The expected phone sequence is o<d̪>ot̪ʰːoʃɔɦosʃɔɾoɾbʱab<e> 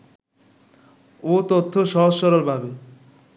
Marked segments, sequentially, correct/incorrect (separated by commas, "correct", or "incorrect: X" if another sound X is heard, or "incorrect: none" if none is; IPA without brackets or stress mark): incorrect: t̪, correct